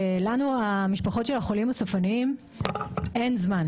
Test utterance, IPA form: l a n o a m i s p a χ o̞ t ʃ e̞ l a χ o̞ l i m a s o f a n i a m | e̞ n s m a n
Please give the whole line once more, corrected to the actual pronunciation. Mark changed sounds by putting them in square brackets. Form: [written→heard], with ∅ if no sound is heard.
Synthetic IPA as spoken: l a n [o→u] a m i [s→ʃ] p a χ o̞ t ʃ e̞ l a χ o̞ l i m a s o f a n i [a→i] m | e̞ n [s→z] m a n